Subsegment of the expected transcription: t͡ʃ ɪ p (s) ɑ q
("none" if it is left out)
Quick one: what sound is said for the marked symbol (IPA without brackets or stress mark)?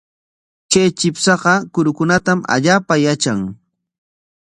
s